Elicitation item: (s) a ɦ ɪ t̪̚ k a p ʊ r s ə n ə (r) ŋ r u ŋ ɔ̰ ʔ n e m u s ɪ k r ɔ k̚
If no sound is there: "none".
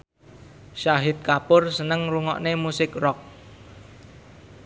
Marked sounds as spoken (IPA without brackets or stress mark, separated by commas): ʃ, none